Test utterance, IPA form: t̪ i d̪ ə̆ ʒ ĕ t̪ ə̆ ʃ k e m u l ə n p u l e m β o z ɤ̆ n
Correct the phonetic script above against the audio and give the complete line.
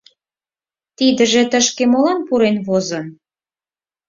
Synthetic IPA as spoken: t̪ i d̪ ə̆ ʒ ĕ t̪ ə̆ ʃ k e m o l ɑ n p u ɾ e n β o z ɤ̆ n